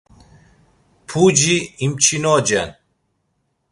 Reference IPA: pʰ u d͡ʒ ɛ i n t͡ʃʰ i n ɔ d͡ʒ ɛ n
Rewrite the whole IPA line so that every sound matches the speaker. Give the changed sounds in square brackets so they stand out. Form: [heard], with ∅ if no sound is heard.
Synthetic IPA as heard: pʰ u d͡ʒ [i] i [m] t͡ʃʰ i n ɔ d͡ʒ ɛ n